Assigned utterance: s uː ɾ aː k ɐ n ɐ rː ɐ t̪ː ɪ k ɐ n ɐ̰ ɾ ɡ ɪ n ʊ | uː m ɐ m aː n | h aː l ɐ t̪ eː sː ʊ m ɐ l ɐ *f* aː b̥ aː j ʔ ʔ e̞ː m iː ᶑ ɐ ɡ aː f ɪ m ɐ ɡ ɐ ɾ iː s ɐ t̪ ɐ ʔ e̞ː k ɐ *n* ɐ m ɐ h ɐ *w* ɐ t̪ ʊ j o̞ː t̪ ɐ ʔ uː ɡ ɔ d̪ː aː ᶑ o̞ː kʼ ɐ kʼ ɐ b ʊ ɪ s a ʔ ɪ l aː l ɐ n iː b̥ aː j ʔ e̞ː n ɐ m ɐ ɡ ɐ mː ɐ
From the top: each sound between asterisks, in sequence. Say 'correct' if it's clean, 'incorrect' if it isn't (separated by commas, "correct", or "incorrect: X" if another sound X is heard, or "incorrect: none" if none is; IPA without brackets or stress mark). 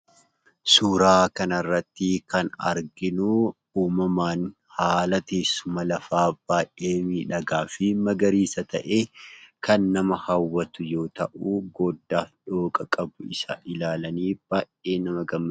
correct, incorrect: nː, incorrect: wː